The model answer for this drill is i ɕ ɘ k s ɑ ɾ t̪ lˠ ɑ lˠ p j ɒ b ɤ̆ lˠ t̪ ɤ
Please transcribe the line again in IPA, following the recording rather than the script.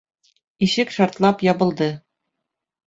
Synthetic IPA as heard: i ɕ ɘ k ʃ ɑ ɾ t̪ lˠ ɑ p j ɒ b ɤ̆ lˠ d̪ ɤ